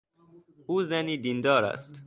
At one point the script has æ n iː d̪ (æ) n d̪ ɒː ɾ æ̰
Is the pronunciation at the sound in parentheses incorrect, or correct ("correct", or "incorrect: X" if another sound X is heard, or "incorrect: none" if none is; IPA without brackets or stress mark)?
incorrect: i